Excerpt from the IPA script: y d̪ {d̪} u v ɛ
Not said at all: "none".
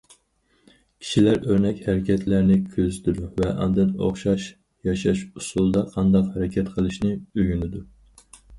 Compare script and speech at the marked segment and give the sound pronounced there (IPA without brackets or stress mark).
d̪